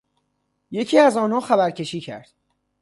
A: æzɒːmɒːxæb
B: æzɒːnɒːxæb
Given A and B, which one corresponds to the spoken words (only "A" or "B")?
B